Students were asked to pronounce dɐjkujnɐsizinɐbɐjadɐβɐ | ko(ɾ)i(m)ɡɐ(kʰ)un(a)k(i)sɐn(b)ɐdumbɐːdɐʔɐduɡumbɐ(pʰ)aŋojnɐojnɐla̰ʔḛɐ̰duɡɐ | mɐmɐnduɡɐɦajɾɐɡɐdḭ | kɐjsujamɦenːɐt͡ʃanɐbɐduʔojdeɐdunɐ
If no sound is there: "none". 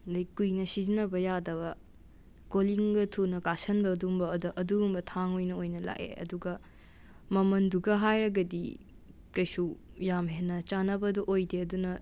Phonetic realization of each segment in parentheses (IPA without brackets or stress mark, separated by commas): l, ŋ, tʰ, ɐ, a, b, tʰ